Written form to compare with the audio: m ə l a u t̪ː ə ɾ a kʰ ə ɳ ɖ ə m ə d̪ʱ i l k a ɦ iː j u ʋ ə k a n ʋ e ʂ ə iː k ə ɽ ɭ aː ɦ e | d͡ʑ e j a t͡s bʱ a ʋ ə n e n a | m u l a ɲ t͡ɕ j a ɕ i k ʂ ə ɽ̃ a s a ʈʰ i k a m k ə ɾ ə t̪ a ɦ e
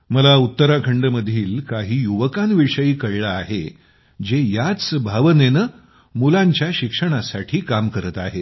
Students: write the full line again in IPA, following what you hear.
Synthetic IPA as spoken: m ə l a u t̪ː ə ɾ a kʰ ə ɳ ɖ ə m ə d̪ʱ iː l k a ɦ iː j u ʋ ə k a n ʋ i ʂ ə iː k ə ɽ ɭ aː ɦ e | d͡ʑ e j a t͡s bʱ a ʋ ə n e n ə | m u l a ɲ t͡ɕ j a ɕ i k ʂ ə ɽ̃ a s a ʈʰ iː k a m k ə ɾ ə t̪ a ɦ e